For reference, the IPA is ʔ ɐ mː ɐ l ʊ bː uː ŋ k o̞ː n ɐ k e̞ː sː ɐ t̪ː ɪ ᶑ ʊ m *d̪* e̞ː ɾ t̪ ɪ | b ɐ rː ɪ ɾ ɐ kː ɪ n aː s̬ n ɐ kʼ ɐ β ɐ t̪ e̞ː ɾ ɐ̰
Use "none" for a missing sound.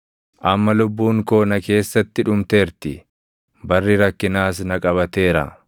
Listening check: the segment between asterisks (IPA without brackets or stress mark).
t̪